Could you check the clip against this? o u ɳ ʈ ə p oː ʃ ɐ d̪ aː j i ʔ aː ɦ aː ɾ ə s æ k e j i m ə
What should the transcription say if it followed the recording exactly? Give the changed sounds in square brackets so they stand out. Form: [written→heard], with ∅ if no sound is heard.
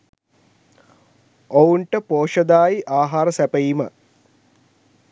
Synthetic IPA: o u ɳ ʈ ə p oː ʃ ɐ d̪ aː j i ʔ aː ɦ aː ɾ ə s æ [k→p] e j i m ə